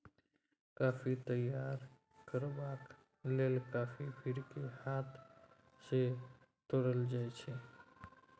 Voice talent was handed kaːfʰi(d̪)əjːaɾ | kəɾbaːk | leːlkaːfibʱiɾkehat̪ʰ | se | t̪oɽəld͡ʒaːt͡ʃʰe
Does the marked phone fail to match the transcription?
yes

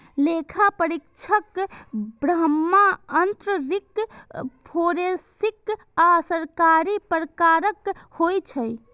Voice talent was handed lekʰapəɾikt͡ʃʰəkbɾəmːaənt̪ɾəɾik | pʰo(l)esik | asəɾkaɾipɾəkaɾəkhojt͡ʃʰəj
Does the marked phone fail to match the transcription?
yes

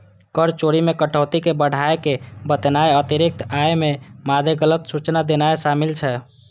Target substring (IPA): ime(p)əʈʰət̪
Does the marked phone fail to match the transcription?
yes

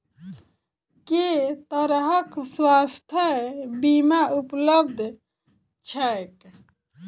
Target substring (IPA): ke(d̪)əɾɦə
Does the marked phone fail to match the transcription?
yes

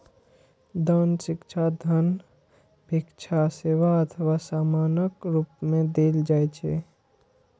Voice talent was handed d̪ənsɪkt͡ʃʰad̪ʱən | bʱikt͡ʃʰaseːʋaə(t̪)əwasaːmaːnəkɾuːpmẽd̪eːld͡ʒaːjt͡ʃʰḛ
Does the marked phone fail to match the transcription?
yes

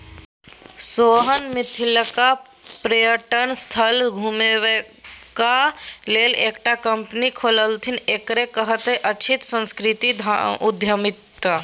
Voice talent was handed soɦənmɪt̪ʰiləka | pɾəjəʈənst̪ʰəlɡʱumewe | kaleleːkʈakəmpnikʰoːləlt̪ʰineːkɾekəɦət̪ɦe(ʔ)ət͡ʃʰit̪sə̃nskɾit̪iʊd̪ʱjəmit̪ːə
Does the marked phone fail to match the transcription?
no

